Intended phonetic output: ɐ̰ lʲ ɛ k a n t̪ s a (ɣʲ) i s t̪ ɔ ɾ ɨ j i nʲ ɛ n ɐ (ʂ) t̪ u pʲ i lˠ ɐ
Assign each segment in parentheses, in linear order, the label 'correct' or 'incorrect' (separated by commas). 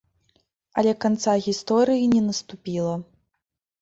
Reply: correct, incorrect